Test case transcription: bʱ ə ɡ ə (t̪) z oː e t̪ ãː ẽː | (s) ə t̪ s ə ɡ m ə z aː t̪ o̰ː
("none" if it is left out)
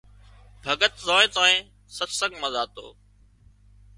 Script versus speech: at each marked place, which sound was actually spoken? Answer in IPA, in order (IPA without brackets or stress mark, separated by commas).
t̪, s